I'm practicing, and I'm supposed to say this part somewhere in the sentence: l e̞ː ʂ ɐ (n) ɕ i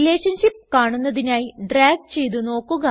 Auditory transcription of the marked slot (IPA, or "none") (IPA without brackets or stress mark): n